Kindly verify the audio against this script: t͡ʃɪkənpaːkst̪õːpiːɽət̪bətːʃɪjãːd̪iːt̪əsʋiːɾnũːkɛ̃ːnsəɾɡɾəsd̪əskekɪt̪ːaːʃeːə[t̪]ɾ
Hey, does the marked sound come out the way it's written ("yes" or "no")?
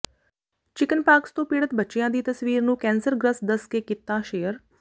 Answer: no